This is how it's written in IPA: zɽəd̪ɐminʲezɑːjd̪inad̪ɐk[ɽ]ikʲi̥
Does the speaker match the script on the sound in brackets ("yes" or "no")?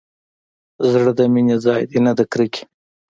no